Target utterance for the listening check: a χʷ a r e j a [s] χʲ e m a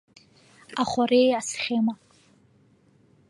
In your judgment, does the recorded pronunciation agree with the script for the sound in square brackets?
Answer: yes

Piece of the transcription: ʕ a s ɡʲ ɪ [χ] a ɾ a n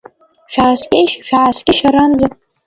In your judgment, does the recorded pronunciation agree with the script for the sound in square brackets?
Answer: no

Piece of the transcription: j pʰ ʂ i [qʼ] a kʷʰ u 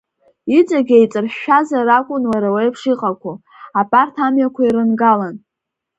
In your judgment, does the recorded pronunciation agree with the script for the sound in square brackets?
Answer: yes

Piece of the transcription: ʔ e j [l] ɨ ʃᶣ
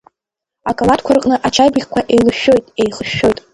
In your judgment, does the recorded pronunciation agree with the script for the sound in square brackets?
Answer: yes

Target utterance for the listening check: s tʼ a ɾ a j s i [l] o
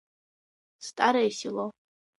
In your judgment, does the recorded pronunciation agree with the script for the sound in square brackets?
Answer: yes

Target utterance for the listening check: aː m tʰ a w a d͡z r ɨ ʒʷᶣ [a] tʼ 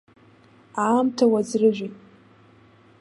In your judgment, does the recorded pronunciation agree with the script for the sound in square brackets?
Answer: no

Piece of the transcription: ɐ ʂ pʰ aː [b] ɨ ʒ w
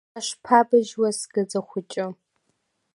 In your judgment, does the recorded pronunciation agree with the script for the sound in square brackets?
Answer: yes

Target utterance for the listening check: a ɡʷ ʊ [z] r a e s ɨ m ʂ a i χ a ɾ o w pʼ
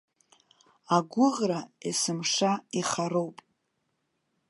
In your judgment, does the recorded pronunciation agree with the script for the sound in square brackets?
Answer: no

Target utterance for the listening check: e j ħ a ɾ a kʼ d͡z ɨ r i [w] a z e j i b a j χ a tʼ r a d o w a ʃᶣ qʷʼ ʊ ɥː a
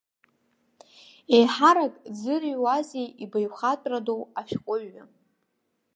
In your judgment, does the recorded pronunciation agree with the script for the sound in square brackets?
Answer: yes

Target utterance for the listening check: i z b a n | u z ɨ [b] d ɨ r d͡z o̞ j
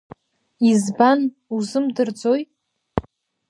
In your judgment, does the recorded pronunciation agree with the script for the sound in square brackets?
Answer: no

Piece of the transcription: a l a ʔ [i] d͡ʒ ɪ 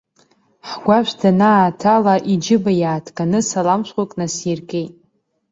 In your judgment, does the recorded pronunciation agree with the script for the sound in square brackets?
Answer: yes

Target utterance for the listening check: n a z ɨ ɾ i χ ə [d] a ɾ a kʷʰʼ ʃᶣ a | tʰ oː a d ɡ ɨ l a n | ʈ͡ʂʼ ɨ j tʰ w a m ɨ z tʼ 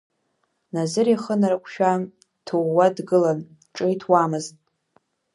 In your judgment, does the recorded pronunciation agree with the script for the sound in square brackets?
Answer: no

